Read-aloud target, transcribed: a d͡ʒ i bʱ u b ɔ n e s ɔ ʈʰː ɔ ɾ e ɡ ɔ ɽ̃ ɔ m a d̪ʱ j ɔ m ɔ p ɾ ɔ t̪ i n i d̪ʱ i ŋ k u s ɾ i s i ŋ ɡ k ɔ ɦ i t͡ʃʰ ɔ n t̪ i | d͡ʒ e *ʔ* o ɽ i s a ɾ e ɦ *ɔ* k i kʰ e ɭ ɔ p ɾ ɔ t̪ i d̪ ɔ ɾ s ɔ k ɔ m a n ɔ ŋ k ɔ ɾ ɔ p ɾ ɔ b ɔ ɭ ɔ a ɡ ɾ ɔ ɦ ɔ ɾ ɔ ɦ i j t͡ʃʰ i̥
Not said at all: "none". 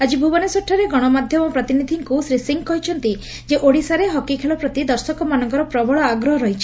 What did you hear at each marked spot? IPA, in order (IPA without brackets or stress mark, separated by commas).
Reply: ʔ, ɔ